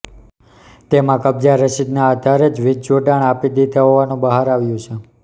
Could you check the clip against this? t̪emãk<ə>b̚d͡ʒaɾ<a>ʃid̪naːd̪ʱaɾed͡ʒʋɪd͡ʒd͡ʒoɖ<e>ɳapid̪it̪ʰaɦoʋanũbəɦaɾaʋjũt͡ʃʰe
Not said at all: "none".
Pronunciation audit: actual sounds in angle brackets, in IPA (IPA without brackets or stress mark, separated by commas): ə, ə, a